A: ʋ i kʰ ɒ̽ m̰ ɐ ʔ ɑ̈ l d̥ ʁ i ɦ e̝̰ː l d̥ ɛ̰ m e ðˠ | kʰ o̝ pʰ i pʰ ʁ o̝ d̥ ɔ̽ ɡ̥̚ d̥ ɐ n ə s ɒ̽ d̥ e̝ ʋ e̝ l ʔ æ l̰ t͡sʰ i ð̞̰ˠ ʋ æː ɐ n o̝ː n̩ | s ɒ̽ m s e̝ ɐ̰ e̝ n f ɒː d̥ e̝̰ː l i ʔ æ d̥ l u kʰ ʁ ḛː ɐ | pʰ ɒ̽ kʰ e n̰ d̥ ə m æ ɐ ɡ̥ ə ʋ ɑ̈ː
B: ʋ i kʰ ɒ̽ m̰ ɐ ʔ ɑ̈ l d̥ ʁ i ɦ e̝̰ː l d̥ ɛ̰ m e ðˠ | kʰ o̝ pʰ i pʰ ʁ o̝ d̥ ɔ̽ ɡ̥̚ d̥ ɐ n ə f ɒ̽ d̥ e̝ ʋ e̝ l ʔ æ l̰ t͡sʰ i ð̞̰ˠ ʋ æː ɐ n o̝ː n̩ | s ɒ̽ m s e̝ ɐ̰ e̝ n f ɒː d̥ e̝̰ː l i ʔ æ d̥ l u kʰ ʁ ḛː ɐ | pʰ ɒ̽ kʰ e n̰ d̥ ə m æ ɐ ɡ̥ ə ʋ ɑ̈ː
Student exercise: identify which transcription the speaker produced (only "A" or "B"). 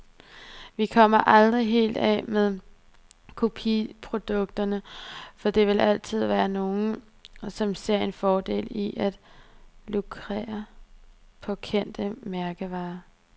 B